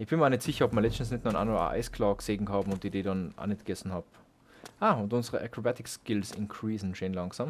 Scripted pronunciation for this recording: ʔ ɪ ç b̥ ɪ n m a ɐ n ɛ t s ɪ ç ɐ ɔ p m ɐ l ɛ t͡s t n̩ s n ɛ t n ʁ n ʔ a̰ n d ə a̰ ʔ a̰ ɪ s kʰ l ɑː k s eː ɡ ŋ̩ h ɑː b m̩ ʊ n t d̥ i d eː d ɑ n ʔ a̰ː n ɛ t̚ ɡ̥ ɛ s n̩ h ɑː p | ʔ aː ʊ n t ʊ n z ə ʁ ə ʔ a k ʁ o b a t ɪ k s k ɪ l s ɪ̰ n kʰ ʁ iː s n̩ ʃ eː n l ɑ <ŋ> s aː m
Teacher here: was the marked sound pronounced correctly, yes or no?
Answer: yes